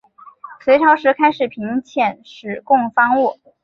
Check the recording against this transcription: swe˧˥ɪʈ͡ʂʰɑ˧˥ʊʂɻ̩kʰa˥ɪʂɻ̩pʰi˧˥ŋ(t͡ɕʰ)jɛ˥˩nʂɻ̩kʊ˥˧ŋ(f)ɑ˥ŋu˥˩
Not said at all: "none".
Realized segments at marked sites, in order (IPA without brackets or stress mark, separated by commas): t͡ɕʰ, f